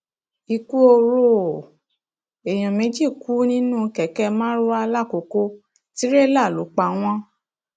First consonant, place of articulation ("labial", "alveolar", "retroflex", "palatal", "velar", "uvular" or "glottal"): velar